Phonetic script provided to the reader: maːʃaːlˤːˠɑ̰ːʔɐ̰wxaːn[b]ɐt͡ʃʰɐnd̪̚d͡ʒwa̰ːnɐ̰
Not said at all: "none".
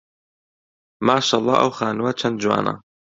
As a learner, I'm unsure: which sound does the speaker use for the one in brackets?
w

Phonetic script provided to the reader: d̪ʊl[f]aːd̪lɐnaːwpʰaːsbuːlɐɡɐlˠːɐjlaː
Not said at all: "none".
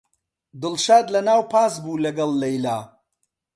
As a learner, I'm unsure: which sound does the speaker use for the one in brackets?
ʃ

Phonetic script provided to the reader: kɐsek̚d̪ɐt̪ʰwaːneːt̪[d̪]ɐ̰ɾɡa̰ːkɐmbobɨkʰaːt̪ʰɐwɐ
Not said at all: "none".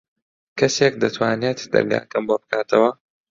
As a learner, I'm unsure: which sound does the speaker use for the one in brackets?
d̪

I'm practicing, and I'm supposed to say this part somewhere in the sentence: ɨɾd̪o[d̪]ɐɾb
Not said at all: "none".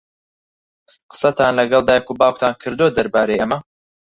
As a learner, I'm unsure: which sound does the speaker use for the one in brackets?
d̪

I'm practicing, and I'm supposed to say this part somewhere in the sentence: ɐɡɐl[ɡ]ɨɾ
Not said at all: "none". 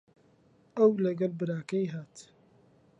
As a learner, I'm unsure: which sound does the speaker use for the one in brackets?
b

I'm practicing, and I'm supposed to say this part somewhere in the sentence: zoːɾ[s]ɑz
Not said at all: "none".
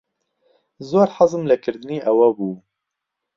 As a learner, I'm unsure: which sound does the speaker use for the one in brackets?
ħ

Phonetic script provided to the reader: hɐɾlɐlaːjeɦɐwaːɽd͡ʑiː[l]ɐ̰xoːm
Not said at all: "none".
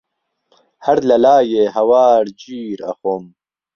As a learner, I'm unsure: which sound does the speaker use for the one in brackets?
ɾ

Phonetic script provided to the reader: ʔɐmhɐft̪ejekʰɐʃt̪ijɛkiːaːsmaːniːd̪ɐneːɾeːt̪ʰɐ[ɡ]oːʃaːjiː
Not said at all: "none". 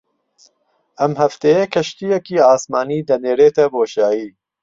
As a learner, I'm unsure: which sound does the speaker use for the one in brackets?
b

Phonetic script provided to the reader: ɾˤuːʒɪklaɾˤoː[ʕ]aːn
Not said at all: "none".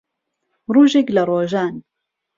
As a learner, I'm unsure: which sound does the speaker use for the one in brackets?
ʒ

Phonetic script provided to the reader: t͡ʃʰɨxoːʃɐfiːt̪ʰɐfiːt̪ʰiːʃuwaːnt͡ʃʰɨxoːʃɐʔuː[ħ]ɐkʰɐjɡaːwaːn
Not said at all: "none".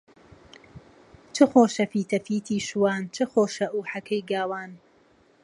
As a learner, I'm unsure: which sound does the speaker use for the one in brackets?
ħ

